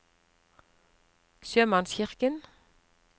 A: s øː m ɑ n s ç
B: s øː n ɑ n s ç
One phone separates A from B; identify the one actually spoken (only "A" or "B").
A